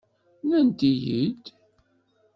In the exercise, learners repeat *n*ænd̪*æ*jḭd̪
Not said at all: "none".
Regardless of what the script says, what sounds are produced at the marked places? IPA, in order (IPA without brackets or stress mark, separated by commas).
n, i